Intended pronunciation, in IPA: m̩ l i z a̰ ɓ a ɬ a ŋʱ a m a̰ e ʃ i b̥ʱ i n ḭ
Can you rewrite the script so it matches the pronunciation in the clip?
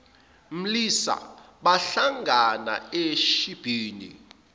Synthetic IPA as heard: m̩ l i s a̰ ɓ a ɬ a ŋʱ a n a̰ e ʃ i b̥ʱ iː n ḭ